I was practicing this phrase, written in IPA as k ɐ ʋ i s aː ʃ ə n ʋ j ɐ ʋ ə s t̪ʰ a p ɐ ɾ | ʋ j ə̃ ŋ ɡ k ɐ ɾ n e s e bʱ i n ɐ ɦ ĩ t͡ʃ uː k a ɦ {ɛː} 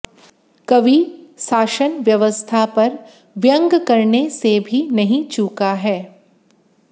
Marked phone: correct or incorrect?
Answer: correct